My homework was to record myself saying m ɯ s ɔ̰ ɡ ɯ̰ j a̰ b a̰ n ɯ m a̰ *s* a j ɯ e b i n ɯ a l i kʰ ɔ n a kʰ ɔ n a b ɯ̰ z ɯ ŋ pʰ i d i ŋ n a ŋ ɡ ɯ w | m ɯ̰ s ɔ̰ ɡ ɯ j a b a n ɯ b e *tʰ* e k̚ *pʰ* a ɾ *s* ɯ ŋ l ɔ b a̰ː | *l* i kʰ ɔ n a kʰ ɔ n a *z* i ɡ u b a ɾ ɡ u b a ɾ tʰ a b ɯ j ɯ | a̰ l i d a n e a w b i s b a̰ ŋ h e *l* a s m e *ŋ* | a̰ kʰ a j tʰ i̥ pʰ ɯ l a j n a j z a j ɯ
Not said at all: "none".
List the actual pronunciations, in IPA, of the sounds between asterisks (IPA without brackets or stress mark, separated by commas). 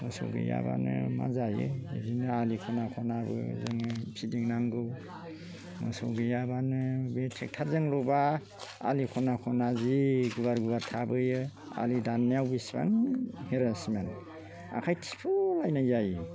z, tʰ, tʰ, z, l, z, ɾ, n